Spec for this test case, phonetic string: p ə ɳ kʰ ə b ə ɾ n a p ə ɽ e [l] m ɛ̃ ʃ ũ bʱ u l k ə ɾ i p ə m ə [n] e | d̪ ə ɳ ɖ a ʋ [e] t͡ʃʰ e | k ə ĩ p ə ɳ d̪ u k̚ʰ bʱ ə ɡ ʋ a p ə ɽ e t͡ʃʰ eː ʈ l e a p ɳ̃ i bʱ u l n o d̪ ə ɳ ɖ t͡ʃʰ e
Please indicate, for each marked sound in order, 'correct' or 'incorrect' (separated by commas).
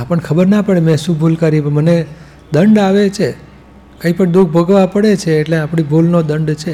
incorrect, correct, correct